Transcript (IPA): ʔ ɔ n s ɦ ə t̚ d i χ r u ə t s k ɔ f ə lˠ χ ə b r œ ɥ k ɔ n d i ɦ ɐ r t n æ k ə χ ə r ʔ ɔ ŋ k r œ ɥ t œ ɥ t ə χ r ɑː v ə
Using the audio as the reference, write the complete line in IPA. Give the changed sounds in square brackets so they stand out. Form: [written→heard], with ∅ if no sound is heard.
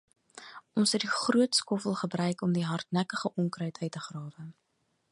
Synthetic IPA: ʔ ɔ n s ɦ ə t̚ d i χ r u ə t s k ɔ f ə lˠ χ ə b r œ ɥ k ɔ [n→m] d i ɦ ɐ r t n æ k ə χ ə [r→∅] ʔ ɔ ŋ k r œ ɥ t œ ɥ t ə χ r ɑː v ə